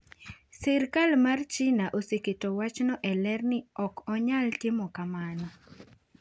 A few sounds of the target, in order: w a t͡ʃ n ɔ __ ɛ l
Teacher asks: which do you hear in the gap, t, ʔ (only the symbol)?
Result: ʔ